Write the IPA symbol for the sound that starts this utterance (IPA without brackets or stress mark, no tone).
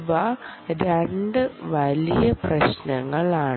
ʋ